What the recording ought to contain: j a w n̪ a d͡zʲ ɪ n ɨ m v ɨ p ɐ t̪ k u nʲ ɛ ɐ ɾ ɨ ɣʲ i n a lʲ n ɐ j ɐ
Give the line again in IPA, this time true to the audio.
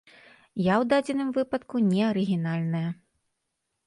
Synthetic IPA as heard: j a w d̪ a d͡zʲ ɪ n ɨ m v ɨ p ɐ t̪ k u nʲ ɛ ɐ ɾ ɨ ɣʲ i n a lʲ n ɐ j ɐ